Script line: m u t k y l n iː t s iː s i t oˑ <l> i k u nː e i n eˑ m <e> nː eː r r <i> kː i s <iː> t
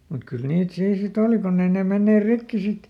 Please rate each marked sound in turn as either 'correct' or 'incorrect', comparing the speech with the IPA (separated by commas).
correct, correct, correct, incorrect